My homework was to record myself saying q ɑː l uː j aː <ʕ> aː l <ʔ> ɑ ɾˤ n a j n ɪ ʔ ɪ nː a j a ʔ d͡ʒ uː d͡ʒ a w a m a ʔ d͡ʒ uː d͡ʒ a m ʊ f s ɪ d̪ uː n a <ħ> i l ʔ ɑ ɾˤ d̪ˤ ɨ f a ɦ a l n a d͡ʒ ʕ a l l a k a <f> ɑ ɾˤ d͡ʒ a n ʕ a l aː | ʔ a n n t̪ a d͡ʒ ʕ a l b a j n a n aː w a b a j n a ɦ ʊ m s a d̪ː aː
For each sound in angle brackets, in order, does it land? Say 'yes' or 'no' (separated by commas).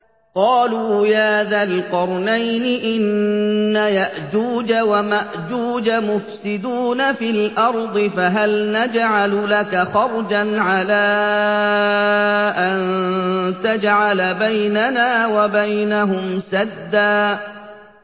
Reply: no, no, no, no